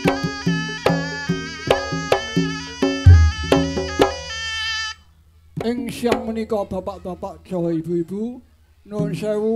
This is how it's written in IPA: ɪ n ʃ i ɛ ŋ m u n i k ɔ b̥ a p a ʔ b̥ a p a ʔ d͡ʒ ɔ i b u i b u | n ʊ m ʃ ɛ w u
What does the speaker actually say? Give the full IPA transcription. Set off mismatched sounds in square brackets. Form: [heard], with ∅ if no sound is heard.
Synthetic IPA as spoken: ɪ [ŋ] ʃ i [a] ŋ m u n i k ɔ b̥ a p a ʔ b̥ a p a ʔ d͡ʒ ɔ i b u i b u | n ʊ [n] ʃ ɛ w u